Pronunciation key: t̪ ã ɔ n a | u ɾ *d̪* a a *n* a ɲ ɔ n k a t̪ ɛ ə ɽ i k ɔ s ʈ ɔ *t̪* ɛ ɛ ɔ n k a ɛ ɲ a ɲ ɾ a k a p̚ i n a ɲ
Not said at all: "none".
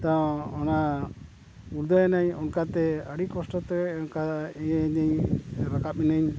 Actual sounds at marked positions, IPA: d̪, n, t̪

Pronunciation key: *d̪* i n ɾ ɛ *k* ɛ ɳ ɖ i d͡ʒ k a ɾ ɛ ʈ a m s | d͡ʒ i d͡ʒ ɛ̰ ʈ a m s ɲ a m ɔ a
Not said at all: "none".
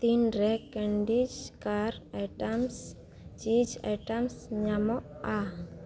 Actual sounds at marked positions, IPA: t̪, k

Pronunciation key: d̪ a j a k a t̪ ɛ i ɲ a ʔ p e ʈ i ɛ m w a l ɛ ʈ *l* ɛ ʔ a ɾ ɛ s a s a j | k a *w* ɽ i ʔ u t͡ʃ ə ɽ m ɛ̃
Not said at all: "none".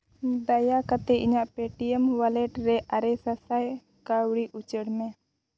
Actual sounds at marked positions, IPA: ɾ, w

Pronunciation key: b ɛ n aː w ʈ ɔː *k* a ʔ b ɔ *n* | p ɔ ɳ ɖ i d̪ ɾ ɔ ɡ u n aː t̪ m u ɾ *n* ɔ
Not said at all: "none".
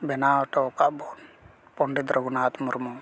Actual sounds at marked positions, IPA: k, n, m

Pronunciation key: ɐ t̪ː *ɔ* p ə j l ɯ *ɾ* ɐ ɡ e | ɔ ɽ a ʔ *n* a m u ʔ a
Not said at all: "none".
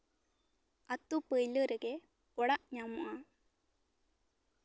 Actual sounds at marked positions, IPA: u, ɾ, ɲ

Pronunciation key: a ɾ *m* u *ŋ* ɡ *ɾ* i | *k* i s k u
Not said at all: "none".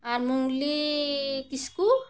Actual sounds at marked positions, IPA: m, ŋ, l, k

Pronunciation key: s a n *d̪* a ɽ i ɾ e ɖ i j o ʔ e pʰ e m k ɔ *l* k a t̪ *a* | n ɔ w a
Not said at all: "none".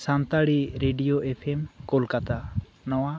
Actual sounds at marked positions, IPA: t̪, l, a

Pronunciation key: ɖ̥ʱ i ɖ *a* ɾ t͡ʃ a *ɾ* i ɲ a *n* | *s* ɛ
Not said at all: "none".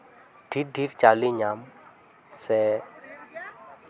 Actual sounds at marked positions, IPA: i, l, m, s

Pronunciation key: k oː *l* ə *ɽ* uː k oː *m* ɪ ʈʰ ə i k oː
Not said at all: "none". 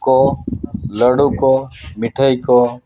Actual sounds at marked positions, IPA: l, ɽ, m

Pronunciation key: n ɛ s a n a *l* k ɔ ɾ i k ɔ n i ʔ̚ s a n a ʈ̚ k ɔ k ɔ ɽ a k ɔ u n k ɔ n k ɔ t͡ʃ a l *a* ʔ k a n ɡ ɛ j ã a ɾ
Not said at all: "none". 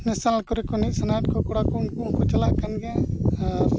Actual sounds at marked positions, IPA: l, a

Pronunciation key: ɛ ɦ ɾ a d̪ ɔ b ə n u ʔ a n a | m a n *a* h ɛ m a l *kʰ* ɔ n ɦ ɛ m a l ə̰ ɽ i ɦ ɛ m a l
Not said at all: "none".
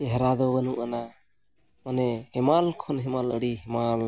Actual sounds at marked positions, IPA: ɛ, kʰ

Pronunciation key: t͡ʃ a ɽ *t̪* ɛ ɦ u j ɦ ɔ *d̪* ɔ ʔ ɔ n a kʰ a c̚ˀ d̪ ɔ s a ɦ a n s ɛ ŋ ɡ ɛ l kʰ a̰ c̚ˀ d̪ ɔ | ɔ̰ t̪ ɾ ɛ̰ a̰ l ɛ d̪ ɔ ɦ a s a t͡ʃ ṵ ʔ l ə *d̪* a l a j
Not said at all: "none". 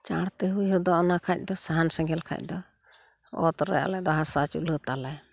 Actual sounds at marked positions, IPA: t̪, d̪, t̪

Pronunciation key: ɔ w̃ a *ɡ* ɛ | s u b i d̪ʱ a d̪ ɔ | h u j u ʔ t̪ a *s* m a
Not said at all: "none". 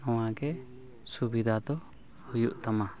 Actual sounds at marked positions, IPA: ɡ, none

